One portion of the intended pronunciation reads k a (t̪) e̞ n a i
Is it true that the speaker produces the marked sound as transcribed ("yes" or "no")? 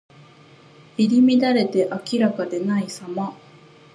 no